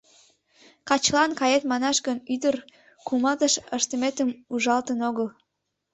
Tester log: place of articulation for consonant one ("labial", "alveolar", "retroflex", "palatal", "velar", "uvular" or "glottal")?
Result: velar